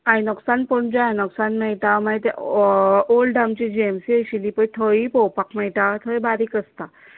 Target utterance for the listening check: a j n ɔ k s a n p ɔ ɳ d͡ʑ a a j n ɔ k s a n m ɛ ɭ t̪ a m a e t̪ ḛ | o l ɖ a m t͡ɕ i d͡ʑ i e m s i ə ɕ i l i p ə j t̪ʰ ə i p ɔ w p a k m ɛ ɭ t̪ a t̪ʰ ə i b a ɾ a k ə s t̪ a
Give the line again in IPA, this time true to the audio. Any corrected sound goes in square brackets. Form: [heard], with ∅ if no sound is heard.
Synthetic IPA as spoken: a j n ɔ k s a n p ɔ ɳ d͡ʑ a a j n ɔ k s a n m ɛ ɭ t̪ a m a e t̪ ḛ | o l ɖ a m t͡ɕ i d͡ʑ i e m s i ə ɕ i l i p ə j t̪ʰ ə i p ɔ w p a k m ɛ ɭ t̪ a t̪ʰ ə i b a ɾ [i] k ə s t̪ a